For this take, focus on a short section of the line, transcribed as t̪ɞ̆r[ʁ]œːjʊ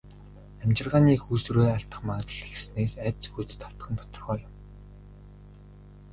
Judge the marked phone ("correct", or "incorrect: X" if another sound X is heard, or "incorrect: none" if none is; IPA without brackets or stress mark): correct